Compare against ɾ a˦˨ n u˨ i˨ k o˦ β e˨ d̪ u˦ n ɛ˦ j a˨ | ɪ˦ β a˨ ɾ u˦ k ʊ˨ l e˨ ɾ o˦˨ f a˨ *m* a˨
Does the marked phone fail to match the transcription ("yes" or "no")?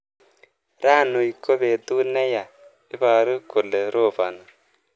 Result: yes